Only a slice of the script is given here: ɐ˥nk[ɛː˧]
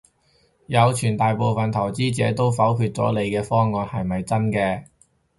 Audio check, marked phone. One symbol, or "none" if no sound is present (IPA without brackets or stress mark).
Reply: ɛː˧